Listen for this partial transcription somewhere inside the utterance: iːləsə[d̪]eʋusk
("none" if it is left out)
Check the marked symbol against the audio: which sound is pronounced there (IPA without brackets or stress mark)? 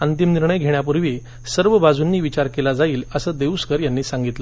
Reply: d̪